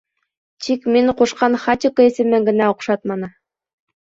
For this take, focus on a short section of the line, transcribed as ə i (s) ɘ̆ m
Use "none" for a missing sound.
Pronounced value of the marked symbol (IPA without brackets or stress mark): s